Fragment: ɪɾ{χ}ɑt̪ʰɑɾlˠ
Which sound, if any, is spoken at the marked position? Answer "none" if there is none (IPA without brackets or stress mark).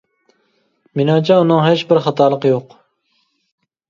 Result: χ